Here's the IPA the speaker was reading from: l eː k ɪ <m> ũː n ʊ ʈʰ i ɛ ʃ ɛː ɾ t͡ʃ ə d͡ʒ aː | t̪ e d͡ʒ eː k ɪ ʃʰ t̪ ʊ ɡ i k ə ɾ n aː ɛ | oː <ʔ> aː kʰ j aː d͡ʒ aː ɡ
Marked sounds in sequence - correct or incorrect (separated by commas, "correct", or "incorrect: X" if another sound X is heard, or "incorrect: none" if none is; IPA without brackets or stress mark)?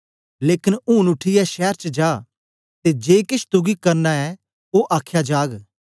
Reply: incorrect: n, correct